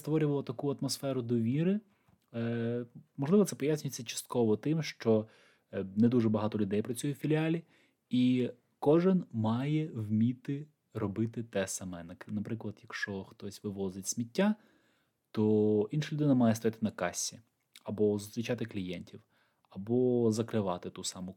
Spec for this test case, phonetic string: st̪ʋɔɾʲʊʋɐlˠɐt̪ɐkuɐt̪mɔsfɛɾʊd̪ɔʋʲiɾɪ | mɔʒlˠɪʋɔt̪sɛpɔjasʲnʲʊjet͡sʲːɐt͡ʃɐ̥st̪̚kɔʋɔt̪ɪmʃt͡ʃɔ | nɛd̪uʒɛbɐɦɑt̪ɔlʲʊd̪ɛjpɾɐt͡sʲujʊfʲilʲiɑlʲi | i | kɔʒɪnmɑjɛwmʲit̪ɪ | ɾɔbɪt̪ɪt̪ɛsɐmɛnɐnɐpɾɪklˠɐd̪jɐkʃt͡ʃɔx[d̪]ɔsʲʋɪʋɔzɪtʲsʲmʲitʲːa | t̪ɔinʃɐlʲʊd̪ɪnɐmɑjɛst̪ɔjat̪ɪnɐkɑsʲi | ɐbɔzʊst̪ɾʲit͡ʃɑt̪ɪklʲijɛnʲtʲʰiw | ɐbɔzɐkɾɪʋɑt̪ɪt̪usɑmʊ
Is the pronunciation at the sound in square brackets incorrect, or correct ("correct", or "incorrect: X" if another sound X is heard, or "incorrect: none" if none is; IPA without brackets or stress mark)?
incorrect: t̪